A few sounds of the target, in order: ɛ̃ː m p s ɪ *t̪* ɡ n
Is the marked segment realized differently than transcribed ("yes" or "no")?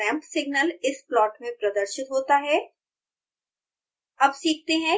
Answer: yes